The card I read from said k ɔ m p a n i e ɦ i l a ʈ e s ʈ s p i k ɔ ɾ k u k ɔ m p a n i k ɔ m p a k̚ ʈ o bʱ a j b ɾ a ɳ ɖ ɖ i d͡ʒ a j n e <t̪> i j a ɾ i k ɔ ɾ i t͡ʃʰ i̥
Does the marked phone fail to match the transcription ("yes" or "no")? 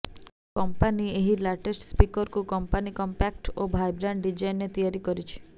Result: no